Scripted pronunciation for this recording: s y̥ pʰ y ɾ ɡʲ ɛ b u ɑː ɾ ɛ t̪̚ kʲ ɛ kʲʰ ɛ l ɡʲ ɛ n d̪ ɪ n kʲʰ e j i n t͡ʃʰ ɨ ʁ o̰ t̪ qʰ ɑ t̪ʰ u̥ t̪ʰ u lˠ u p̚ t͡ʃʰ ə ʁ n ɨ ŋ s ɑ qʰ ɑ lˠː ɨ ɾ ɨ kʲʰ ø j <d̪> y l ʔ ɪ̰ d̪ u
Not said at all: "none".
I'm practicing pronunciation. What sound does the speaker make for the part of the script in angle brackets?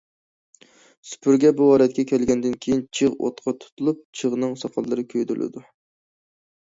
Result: d̪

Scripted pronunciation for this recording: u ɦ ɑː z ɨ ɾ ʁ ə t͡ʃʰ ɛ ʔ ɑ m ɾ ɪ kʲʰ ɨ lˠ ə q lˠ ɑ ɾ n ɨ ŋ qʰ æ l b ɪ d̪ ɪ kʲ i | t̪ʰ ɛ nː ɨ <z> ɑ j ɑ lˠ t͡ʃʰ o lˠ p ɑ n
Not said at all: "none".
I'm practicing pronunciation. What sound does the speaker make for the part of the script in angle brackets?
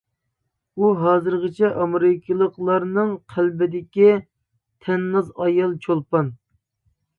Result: z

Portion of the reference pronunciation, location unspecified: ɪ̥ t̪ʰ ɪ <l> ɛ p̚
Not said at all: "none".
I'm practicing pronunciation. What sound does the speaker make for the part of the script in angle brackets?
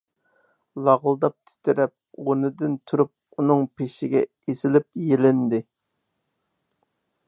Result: ɾ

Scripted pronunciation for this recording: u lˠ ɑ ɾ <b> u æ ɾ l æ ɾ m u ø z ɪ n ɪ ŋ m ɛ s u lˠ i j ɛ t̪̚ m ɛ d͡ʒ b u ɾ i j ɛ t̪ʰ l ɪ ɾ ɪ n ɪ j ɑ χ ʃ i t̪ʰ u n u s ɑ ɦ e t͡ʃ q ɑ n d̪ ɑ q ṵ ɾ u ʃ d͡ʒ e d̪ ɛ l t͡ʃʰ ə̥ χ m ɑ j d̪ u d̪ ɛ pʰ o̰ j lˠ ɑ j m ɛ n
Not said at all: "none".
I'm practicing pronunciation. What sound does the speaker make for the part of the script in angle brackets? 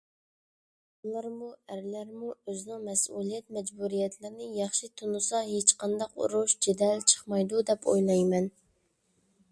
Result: m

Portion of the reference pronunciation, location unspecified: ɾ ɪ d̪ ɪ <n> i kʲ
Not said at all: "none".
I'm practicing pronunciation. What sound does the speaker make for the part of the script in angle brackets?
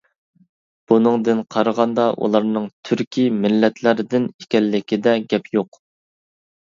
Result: n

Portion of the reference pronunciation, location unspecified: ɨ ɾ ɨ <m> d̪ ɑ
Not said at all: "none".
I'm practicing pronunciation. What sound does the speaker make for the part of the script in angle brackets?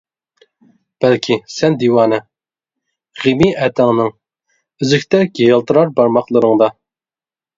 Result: ŋ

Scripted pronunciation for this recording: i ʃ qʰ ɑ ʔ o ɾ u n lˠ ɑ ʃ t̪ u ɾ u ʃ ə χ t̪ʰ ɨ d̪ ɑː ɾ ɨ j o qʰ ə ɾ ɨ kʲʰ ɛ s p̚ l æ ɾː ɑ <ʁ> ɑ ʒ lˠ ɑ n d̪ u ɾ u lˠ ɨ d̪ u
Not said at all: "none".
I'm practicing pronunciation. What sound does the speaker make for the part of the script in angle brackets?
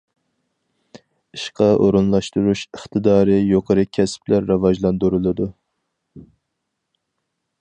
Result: v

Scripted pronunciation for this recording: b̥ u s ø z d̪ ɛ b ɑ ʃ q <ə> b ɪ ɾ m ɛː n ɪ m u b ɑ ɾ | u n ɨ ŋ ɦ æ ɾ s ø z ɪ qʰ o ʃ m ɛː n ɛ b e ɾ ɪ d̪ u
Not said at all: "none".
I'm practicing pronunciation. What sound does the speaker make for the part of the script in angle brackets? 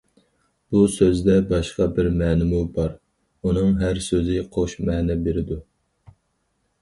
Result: ɑ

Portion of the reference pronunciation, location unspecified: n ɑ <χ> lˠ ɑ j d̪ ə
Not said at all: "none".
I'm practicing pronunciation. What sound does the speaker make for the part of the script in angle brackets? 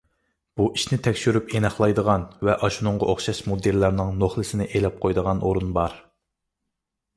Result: χ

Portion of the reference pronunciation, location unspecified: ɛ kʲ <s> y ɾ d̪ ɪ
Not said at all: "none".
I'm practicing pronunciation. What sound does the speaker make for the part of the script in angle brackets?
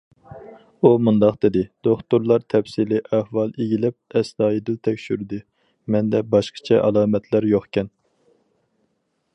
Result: ʃ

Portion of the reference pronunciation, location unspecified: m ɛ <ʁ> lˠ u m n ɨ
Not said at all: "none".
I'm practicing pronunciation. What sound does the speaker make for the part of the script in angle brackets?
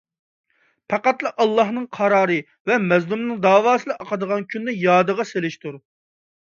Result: z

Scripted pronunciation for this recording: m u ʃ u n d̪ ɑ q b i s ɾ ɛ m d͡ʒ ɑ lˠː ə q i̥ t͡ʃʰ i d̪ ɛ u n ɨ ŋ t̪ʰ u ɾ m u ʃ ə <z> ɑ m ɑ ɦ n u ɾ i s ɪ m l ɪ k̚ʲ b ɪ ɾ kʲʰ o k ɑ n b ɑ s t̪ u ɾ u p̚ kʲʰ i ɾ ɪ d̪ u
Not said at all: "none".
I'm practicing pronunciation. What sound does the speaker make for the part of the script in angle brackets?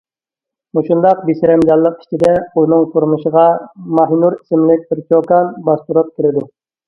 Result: ʁ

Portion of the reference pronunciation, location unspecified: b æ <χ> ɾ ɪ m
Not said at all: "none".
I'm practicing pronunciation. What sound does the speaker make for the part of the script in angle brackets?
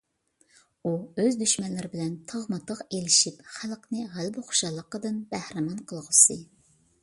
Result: h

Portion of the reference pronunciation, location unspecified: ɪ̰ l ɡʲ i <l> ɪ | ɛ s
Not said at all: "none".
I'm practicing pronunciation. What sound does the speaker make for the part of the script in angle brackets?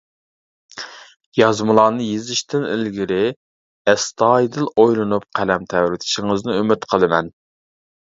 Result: ɾ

